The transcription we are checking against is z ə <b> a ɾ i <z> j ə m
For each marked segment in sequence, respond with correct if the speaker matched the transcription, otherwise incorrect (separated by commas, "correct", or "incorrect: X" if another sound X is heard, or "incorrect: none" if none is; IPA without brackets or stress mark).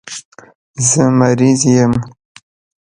incorrect: m, correct